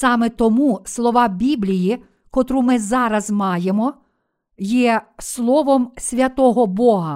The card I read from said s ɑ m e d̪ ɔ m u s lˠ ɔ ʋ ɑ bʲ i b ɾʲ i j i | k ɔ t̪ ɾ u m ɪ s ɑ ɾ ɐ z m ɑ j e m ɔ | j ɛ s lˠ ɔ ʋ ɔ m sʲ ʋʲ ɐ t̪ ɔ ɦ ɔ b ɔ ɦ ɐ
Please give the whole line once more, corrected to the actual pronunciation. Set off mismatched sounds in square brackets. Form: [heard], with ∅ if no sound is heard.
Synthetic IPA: s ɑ m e [t̪] ɔ m u s lˠ ɔ ʋ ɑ bʲ i b [lʲ] i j i | k ɔ t̪ ɾ u m ɪ [z] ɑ ɾ ɐ z m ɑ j e m ɔ | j ɛ s lˠ ɔ ʋ ɔ m sʲ ʋʲ ɐ t̪ ɔ ɦ ɔ b ɔ ɦ ɐ